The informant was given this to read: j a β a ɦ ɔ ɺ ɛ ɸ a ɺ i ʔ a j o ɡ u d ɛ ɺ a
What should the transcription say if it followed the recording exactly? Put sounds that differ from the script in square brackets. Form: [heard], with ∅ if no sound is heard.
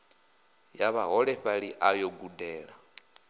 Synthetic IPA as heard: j a β a ɦ ɔ ɺ ɛ ɸ a ɺ i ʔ a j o ɡ u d [ɛː] ɺ a